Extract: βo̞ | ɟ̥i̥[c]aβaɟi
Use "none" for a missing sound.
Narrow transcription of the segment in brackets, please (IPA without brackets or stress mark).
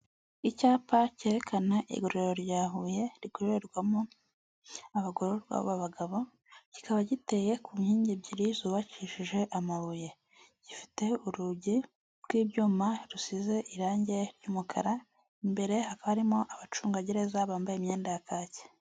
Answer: k